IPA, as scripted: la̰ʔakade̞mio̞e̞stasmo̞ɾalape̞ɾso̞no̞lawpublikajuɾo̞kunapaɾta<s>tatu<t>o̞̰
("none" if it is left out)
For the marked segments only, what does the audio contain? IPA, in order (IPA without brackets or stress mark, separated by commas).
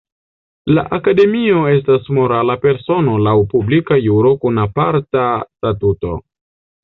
s, t